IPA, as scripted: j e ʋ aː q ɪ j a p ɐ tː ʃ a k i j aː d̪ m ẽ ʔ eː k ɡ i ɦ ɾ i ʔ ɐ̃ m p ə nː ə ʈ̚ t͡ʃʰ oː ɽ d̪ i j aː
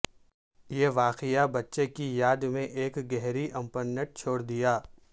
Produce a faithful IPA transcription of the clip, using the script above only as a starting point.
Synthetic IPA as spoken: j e ʋ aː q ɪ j a b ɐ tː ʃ e k i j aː d̪ m ẽ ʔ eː k ɡ ɛ ɦ ɾ i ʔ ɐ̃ m p ə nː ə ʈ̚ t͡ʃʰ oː ɽ d̪ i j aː